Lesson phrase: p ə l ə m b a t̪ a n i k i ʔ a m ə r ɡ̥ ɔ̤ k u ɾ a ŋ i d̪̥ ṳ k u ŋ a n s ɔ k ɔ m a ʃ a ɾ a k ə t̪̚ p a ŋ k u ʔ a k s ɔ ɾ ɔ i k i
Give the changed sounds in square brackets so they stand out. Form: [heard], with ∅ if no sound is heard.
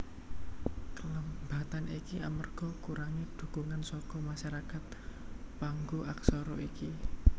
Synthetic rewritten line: [k] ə l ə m b a t̪ a n i k i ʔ a m ə r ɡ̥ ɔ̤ k u ɾ a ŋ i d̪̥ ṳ k u ŋ a n s ɔ k ɔ m a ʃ a ɾ a k [a] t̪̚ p a ŋ [ɡ] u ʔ a k s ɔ ɾ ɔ i k i